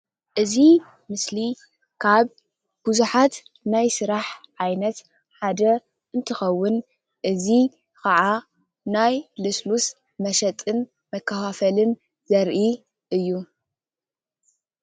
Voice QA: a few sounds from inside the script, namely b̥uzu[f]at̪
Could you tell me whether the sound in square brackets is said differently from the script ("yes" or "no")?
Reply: yes